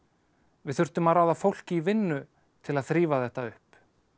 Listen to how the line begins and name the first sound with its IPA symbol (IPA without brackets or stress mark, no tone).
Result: v